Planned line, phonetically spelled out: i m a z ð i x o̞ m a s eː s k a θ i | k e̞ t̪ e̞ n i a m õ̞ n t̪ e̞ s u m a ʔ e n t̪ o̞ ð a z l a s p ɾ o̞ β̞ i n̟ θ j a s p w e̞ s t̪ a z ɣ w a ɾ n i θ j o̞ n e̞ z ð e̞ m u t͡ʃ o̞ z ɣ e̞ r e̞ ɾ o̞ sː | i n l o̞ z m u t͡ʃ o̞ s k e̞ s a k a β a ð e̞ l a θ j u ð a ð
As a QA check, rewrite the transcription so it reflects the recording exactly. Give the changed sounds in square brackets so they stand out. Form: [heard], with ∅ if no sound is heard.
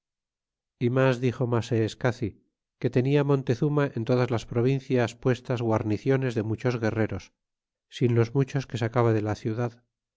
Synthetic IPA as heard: i m a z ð i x o̞ m a s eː s k a θ i | k e̞ t̪ e̞ n i a m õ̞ n t̪ e̞ [θ] u m a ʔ e n t̪ o̞ ð a z l a s p ɾ o̞ β̞ i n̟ θ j a s p w e̞ s t̪ a z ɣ w a ɾ n i θ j o̞ n e̞ z ð e̞ m u t͡ʃ o̞ z ɣ e̞ r e̞ ɾ o̞ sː | i n l o̞ z m u t͡ʃ o̞ s k e̞ s a k a β a ð e̞ l a θ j u ð a ð